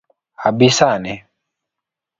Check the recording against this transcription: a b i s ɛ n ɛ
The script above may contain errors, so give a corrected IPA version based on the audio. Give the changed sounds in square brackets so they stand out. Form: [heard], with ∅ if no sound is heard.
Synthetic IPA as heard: a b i s [a] n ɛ